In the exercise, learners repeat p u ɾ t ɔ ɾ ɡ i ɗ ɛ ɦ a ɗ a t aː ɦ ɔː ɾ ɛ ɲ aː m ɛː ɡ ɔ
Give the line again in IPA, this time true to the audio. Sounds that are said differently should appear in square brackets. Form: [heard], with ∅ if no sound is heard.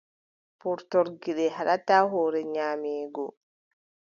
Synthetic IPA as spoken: p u ɾ t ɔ ɾ ɡ i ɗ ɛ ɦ a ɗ a t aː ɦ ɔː ɾ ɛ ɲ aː m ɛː ɡ ɔ